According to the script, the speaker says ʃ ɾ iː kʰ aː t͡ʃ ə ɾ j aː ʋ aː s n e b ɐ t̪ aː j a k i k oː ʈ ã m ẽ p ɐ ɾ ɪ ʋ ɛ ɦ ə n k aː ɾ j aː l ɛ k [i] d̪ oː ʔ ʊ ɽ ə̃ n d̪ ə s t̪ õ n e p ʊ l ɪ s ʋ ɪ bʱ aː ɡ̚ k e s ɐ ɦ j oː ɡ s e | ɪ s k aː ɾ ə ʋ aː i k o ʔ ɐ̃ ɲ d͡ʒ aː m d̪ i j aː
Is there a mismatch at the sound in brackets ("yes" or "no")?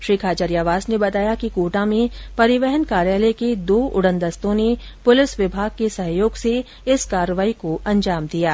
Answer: yes